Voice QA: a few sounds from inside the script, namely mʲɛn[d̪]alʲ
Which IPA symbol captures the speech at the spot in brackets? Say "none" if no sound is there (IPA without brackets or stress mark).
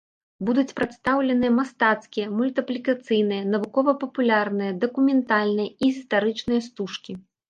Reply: t̪